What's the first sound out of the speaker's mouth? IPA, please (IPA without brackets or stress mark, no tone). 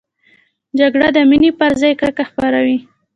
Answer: d͡ʒ